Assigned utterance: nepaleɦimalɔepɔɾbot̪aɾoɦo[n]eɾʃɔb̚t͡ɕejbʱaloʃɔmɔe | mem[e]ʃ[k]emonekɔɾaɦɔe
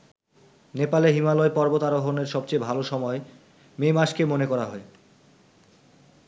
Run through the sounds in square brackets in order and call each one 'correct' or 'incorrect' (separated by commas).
correct, incorrect, correct